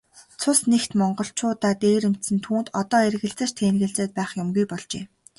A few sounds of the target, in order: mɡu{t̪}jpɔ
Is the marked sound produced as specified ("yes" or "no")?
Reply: no